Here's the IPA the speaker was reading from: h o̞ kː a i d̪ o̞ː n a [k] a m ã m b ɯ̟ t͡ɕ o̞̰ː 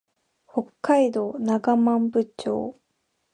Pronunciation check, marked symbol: incorrect: ɡ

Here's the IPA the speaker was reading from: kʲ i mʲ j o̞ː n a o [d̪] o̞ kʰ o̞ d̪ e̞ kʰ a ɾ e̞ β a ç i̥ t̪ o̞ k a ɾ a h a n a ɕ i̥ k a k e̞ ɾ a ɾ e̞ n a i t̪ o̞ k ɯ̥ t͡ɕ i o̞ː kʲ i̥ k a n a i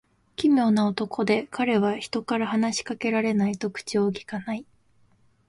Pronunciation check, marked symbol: incorrect: t̪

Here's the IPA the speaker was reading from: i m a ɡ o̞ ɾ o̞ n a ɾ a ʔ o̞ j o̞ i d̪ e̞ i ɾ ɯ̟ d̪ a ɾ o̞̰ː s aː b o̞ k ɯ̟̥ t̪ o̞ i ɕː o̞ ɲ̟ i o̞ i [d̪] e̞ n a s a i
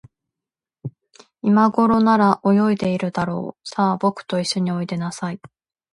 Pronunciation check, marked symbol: correct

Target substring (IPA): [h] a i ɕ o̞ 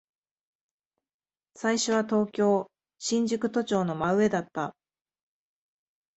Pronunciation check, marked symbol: incorrect: s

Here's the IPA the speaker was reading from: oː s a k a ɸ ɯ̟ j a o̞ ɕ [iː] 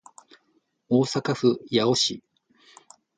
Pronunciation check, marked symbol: incorrect: i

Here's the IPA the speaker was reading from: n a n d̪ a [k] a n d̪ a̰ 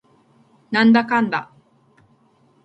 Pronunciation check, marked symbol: correct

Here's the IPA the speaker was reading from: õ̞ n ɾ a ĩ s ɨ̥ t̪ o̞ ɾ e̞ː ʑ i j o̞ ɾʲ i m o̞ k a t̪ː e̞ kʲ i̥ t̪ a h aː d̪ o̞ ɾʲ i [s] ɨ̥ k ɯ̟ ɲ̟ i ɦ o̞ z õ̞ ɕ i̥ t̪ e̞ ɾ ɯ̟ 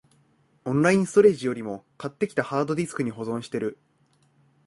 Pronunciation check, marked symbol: correct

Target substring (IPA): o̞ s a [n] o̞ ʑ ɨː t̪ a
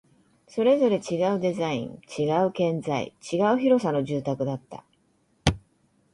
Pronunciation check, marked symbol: correct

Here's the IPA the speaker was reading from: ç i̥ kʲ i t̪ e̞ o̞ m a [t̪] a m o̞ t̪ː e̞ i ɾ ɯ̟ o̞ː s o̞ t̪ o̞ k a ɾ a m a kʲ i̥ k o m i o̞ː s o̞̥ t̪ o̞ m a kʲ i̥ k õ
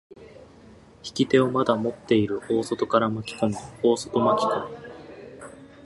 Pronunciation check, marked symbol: incorrect: d̪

